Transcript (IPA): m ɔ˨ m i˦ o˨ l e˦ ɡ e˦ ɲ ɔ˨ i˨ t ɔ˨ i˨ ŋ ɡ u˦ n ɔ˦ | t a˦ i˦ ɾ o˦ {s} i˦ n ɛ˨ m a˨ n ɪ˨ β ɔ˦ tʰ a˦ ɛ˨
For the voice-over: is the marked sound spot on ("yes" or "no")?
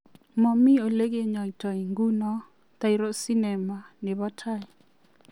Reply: yes